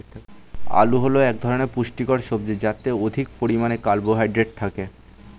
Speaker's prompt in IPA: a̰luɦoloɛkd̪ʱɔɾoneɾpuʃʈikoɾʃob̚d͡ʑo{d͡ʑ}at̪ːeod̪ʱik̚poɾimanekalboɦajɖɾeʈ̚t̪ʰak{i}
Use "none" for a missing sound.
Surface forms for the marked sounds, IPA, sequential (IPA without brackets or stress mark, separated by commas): d͡ʑ, e